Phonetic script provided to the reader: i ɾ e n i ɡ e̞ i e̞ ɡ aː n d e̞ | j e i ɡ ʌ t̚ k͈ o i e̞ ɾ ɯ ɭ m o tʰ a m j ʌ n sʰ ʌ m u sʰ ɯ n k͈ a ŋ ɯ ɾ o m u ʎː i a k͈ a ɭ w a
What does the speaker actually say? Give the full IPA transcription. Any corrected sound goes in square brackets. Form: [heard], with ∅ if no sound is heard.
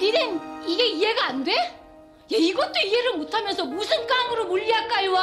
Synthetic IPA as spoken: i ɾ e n i ɡ e̞ i e̞ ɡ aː n d e̞ | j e i ɡ ʌ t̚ [t͈] o i e̞ ɾ ɯ ɭ m o tʰ a m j ʌ n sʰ ʌ m u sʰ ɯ n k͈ a ŋ ɯ ɾ o m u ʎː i a k͈ a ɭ w a